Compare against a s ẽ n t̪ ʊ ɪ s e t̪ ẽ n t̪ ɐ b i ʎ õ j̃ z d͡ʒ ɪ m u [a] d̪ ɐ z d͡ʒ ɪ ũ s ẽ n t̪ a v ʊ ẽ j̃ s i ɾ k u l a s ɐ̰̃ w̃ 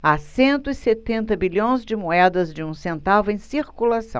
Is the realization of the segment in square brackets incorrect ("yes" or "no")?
yes